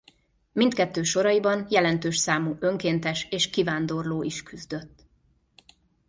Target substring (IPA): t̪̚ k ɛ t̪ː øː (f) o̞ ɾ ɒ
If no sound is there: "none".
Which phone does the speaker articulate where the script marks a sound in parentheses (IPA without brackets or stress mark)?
ʃ